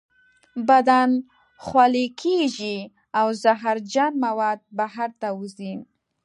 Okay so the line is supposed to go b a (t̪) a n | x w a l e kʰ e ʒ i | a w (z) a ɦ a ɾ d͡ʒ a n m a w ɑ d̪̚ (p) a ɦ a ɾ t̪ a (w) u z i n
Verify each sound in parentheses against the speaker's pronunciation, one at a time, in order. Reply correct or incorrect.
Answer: incorrect: d̪, correct, incorrect: b, correct

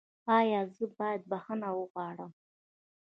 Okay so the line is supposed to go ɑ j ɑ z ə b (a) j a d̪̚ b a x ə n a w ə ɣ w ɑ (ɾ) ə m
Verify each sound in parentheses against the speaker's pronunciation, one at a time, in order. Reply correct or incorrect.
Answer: incorrect: ɑ, incorrect: ɽ

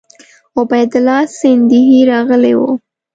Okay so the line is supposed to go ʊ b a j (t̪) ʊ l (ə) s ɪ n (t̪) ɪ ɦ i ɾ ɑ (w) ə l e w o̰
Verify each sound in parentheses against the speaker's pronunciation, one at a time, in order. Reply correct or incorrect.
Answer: incorrect: d̪, incorrect: ɑ, incorrect: d̪, incorrect: ɣ

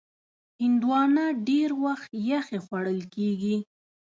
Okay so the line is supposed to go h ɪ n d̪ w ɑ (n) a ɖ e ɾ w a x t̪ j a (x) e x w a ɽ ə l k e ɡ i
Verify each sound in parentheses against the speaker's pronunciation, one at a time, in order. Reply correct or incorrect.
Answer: correct, correct

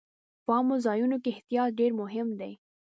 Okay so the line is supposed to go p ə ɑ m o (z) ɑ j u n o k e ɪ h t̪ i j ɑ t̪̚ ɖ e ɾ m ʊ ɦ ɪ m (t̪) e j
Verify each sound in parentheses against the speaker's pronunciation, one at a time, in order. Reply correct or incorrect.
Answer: correct, incorrect: d̪

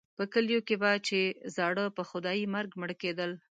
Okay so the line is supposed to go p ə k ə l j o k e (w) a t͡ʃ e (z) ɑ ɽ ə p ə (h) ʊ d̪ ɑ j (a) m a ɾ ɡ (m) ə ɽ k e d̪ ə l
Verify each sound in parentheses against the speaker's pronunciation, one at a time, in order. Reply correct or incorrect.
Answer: incorrect: b, correct, incorrect: x, incorrect: i, correct

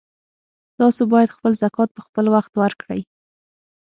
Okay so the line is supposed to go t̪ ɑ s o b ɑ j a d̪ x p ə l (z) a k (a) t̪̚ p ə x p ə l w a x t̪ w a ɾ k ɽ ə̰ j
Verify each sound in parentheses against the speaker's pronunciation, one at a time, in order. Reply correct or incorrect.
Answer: correct, incorrect: ɑ

